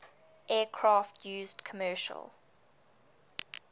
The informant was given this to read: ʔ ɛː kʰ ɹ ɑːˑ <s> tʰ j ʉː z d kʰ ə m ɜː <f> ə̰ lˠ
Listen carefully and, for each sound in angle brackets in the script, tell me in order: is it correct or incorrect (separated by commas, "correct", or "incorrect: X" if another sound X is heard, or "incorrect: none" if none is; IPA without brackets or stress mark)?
incorrect: f, incorrect: ʃ